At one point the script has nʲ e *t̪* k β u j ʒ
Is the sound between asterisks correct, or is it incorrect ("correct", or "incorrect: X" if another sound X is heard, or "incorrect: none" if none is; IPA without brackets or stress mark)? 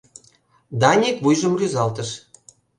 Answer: incorrect: none